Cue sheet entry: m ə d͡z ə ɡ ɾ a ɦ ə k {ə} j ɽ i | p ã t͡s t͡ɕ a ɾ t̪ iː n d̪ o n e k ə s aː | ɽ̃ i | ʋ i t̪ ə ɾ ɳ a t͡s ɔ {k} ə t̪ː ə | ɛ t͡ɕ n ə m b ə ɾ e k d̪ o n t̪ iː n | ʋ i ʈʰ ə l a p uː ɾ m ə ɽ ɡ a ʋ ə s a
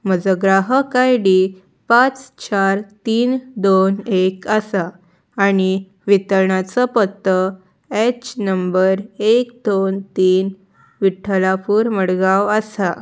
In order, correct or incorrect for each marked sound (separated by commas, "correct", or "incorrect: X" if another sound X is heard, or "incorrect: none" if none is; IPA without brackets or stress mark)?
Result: incorrect: a, incorrect: p